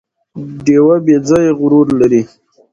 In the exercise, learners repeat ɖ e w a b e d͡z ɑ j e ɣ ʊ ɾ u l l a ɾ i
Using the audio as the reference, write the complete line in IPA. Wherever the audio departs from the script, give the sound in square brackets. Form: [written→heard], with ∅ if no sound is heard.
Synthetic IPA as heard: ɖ e w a b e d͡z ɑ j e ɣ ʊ ɾ u [l→ɾ] l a ɾ i